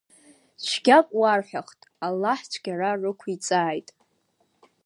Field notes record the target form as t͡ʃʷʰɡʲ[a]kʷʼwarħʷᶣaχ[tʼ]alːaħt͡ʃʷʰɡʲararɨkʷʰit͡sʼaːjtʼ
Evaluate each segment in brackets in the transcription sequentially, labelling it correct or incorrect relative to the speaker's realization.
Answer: correct, correct

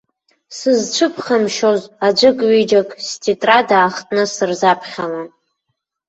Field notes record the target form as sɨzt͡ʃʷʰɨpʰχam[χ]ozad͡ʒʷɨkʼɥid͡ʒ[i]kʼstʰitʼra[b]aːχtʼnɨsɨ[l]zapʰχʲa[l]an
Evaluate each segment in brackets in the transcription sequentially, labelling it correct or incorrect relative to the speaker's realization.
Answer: incorrect: ʃ, incorrect: a, incorrect: d, incorrect: r, correct

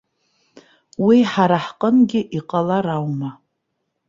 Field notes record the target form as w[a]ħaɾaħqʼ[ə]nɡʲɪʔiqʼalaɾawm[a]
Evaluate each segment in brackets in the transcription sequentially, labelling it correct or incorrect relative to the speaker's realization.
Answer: incorrect: i, correct, correct

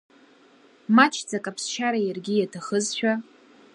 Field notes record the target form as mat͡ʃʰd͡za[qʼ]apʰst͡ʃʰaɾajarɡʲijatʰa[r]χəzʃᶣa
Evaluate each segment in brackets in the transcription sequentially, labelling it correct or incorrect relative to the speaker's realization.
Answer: incorrect: kʼ, incorrect: none

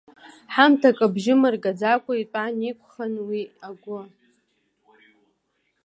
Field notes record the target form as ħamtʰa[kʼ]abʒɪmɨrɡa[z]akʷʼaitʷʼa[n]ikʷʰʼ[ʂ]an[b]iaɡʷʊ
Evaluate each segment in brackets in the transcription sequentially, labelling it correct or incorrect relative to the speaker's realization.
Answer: correct, incorrect: d͡z, correct, incorrect: χ, incorrect: w

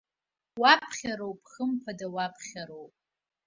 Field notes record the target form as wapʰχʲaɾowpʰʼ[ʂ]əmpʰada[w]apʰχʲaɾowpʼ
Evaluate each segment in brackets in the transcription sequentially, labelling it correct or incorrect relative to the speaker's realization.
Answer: incorrect: χ, correct

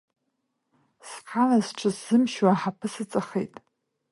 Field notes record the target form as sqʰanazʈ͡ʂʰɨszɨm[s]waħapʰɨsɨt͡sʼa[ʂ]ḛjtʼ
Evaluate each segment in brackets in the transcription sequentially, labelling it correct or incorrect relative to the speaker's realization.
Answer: incorrect: ʃ, incorrect: χ

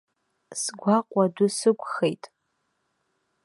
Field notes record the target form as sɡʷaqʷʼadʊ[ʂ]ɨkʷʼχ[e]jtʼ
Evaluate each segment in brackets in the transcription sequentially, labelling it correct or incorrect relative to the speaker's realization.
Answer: incorrect: s, correct

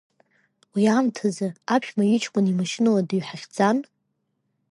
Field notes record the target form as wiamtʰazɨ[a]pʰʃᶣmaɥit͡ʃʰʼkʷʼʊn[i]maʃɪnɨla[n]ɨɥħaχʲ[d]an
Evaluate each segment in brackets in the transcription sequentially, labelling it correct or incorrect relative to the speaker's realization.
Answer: correct, correct, incorrect: d, incorrect: d͡z

